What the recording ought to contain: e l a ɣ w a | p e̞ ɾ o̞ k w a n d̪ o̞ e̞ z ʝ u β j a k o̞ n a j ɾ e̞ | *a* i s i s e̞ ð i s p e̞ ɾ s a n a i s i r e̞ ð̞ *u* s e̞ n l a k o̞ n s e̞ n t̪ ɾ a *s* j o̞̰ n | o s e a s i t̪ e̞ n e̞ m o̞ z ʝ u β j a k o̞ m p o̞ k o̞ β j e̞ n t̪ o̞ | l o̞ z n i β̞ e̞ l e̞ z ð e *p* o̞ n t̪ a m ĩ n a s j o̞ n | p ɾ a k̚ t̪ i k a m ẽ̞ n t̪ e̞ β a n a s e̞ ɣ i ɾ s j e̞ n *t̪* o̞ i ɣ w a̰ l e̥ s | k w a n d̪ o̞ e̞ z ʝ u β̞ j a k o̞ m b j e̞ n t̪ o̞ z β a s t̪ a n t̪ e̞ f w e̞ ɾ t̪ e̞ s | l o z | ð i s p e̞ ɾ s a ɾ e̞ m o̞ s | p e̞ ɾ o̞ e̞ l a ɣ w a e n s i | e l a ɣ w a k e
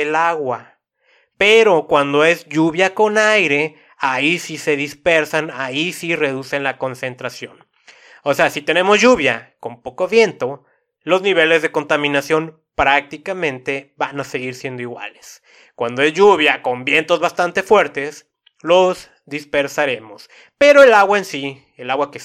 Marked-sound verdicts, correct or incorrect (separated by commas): correct, correct, correct, incorrect, incorrect